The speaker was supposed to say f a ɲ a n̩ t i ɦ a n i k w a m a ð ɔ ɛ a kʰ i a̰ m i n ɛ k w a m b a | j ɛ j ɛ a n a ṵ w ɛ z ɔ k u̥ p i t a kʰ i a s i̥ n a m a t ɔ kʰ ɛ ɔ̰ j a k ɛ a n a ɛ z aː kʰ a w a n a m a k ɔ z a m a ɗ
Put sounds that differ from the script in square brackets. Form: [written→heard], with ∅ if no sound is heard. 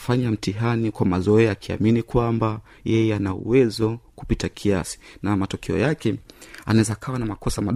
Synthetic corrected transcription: f a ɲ a [n̩→m̩] t i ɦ a n i k w a m a [ð→z] ɔ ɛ a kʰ i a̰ m i n [ɛ→i] k w a m b a | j ɛ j ɛ a n a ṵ w ɛ z ɔ k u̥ p i t a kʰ i a s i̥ n a m a t ɔ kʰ ɛ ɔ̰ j a k ɛ a n a ɛ z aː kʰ a w a n a m a k ɔ [z→s] a m a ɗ